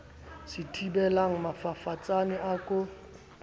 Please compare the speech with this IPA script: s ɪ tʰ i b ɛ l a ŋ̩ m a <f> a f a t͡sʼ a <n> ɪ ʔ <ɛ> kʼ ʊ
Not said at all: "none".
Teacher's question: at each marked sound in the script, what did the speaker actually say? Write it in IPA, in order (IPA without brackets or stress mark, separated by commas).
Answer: f, n, a